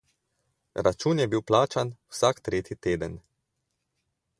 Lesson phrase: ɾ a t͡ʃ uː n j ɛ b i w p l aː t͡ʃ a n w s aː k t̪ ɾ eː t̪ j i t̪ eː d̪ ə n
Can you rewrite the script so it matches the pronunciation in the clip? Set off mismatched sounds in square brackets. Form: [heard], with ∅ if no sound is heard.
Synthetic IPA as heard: ɾ a t͡ʃ uː n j ɛ b i w p l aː t͡ʃ a n w s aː k t̪ ɾ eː t̪ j i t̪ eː d̪ ə n